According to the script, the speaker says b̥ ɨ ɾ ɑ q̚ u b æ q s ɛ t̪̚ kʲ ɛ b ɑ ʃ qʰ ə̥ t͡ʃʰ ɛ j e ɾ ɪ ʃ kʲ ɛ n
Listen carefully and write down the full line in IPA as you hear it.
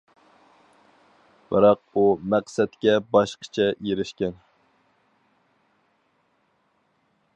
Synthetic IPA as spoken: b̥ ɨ ɾ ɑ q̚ u m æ q s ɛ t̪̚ kʲ ɛ b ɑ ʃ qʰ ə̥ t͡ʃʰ ɛ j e ɾ ɪ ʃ kʲ ɛ n